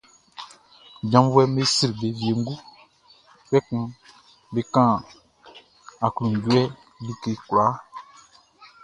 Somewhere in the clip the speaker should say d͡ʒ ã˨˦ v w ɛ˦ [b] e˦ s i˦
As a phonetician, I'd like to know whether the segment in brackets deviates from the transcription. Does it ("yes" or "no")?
yes